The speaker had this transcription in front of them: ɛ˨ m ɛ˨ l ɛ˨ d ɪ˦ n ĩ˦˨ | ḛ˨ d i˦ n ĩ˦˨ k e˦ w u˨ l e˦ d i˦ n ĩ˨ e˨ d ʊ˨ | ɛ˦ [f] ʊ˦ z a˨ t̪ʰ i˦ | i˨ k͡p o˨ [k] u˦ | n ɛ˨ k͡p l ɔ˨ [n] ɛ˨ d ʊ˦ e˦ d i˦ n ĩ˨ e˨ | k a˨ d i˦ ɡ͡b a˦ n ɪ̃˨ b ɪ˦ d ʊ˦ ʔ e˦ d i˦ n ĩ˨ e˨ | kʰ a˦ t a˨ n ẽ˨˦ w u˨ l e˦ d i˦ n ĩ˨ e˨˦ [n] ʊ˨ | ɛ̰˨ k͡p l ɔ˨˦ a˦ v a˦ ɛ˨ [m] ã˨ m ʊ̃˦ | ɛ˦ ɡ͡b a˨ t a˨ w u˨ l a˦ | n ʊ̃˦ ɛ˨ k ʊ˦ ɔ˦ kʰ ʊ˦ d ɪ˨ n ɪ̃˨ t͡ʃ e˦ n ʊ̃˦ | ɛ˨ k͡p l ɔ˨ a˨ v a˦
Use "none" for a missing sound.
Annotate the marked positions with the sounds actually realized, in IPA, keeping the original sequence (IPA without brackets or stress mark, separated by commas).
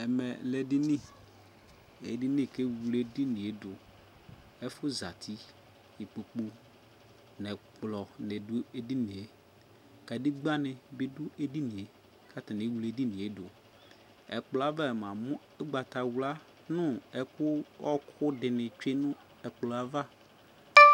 f, k͡p, n, d, m